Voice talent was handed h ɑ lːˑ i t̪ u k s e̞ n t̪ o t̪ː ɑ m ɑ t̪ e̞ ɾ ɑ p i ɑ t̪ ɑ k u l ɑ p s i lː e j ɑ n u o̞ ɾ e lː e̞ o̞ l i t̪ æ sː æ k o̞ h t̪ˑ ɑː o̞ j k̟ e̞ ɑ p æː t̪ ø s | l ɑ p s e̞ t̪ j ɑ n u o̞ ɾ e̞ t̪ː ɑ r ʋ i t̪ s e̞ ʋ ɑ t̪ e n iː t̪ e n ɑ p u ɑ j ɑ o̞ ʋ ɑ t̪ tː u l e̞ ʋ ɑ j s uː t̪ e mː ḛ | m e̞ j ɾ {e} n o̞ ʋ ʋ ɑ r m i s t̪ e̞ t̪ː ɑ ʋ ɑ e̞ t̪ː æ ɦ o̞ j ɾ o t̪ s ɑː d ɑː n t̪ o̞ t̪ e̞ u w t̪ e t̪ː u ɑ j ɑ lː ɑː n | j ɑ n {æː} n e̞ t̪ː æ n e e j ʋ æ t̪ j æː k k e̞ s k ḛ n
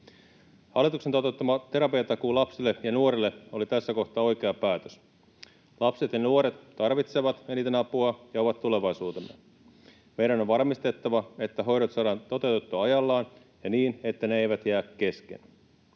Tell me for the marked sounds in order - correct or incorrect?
incorrect: æ, incorrect: iː

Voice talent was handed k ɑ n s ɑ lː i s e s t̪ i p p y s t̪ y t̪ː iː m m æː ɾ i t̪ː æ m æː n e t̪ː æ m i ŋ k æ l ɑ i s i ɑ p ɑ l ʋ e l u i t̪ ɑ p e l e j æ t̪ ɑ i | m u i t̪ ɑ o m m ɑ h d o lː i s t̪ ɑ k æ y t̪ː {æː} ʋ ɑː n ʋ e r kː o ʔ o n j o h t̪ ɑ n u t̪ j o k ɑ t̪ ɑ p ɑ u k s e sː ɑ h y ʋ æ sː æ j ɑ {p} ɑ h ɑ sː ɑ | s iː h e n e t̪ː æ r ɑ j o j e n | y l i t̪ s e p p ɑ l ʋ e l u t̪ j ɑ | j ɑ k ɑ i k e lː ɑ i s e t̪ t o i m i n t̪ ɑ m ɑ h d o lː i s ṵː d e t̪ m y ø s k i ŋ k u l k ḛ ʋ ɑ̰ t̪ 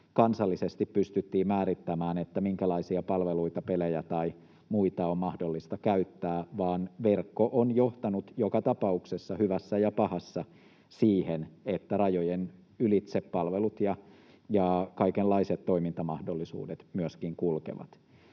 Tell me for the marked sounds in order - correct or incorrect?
correct, correct

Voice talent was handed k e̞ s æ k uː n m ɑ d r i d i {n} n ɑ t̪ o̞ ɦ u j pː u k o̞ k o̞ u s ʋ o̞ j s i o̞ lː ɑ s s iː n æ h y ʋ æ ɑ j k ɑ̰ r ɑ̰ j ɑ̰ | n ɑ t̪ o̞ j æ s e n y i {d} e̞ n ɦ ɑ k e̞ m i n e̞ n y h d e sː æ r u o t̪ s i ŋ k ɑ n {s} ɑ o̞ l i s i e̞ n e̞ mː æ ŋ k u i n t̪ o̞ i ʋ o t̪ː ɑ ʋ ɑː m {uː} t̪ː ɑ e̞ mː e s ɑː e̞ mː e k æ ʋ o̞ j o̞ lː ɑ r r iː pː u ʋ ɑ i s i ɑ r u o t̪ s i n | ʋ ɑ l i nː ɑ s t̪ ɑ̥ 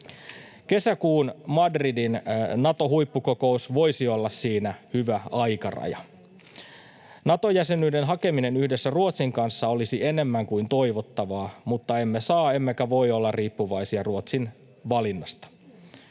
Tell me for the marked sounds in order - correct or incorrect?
correct, correct, incorrect: sː, incorrect: u

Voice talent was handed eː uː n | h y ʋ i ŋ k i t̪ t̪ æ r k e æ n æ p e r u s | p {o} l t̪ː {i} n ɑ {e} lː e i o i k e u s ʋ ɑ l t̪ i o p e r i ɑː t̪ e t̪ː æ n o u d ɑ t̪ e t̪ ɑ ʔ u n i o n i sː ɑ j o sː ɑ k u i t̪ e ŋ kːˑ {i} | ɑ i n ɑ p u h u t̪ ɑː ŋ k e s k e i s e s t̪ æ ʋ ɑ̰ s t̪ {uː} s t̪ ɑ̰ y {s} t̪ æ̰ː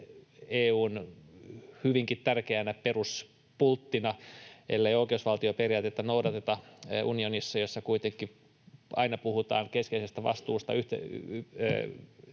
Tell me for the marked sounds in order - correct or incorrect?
incorrect: u, correct, correct, correct, correct, incorrect: h

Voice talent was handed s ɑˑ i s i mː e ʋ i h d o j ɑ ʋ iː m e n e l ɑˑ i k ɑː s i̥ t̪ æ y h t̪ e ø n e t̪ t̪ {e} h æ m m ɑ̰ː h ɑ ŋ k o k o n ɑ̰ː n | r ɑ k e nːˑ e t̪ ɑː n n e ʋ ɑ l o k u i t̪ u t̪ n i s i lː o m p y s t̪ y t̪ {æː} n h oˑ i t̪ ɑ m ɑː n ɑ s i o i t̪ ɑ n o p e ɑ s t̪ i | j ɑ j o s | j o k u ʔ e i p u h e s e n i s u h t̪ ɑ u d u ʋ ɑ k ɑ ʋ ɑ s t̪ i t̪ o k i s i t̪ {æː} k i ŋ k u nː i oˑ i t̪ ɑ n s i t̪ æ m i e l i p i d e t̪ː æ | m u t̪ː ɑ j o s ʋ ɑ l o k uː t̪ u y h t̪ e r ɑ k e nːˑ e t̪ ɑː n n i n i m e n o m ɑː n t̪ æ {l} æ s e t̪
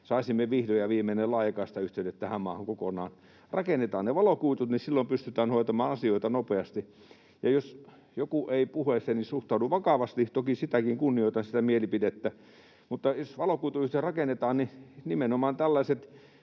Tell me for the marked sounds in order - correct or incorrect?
incorrect: æ, correct, incorrect: æ, incorrect: lː

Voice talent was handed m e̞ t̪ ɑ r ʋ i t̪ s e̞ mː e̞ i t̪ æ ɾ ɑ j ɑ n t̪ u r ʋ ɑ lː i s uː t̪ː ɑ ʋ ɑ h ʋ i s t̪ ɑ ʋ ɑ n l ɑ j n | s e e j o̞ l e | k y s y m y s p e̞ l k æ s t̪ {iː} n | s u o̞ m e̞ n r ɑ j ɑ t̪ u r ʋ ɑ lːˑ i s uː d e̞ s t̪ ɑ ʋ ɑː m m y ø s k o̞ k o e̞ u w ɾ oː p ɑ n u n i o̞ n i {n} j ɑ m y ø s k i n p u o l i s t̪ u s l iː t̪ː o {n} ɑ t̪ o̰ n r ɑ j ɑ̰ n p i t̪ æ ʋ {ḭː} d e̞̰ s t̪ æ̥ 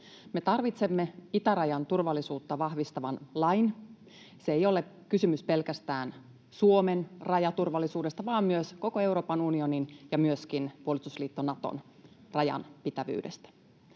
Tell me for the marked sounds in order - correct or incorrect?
incorrect: æː, correct, correct, incorrect: y̰ː

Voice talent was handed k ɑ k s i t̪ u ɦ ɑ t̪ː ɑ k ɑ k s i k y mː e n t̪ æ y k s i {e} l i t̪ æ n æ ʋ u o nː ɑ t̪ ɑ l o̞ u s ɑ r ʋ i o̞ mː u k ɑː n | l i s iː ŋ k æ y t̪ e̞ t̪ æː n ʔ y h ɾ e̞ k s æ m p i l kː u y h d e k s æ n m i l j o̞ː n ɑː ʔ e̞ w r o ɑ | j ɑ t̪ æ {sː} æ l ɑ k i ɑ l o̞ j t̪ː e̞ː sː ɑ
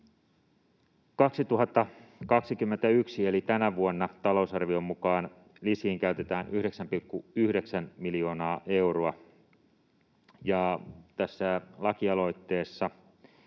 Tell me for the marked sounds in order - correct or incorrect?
correct, correct

